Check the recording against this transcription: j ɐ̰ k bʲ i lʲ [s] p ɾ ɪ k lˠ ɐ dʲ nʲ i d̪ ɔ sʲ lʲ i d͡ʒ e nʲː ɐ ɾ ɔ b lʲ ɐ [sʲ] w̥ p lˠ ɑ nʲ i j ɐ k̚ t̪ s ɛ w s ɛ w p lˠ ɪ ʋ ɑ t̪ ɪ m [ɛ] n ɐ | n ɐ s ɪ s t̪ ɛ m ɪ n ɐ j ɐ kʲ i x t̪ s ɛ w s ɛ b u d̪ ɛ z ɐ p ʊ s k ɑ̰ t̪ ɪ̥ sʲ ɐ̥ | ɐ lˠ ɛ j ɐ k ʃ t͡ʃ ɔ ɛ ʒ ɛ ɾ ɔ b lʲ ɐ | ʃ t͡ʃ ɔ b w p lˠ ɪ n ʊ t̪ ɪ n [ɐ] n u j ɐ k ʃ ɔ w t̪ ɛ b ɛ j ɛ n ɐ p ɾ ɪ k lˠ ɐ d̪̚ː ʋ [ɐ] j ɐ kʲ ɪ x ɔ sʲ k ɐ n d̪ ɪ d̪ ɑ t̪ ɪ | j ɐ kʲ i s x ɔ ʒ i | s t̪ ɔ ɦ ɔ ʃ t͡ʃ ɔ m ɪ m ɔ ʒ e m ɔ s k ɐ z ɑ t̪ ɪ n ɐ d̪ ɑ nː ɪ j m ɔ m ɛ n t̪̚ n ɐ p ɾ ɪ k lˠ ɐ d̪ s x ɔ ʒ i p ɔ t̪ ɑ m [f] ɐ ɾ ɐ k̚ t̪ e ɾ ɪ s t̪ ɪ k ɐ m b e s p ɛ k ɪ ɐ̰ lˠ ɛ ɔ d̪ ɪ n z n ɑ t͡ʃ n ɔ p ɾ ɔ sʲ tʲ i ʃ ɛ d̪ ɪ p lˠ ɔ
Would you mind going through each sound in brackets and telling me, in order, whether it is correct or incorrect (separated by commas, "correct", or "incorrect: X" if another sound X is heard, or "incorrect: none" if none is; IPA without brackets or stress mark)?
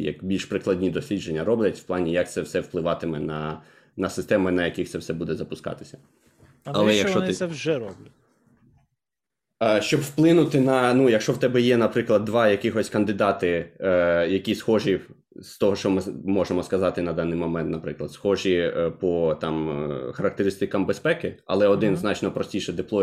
incorrect: ʃ, incorrect: tʲ, correct, correct, incorrect: ɑ, incorrect: x